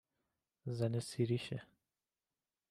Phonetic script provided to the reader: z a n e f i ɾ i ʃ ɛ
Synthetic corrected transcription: z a n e s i ɾ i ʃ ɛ